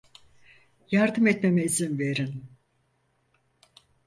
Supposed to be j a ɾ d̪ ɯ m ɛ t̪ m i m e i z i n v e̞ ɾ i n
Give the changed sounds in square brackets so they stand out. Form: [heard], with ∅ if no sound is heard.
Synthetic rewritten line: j a ɾ d̪ ɯ m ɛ t̪ m [e] m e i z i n v e̞ ɾ i n